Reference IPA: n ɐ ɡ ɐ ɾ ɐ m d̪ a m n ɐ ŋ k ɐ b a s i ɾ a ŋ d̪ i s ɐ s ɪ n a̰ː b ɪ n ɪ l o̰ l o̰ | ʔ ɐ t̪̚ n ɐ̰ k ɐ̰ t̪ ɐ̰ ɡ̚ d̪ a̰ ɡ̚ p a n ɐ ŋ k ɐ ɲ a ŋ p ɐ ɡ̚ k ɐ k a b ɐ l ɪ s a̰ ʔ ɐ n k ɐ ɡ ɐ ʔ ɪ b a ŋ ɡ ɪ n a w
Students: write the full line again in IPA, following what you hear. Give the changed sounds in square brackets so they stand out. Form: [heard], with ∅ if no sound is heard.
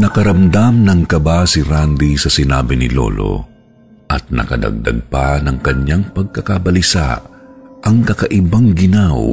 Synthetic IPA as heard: n ɐ [k] ɐ ɾ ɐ m d̪ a m n ɐ ŋ k ɐ b a s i ɾ a [n] d̪ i s ɐ s ɪ n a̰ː b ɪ n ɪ l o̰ l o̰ | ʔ ɐ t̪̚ n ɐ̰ k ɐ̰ [d̪] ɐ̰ ɡ̚ d̪ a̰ ɡ̚ p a n ɐ ŋ k ɐ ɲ a ŋ p ɐ ɡ̚ k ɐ k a b ɐ l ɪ s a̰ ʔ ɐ [ŋ] k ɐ [k] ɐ ʔ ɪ b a ŋ ɡ ɪ n a w